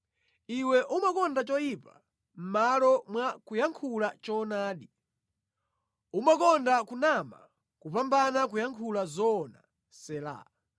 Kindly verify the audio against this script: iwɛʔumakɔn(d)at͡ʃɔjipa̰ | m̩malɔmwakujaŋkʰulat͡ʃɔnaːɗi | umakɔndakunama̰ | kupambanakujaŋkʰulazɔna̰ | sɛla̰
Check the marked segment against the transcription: correct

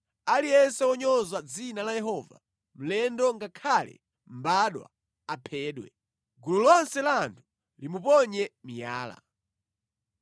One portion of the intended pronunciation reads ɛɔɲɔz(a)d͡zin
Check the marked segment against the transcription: correct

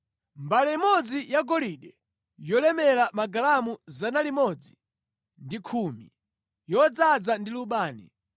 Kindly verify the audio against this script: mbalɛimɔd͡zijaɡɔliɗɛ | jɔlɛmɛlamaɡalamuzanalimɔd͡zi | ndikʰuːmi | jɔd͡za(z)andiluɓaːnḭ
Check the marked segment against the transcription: incorrect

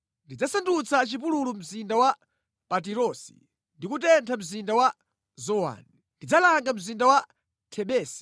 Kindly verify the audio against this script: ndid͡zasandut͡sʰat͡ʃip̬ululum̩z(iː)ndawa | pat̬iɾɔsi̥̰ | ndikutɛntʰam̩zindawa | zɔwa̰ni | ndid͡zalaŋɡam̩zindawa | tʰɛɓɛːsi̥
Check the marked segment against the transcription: incorrect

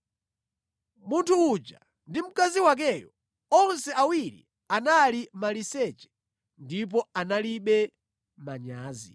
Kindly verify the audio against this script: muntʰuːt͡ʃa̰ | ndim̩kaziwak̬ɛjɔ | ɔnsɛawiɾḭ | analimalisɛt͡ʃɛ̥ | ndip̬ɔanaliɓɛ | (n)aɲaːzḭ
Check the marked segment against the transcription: incorrect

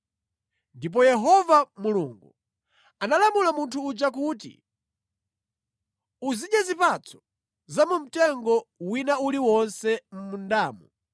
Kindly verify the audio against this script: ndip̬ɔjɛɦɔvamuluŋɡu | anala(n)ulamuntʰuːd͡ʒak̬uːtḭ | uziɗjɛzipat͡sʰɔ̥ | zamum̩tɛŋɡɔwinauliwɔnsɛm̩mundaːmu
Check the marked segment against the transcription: incorrect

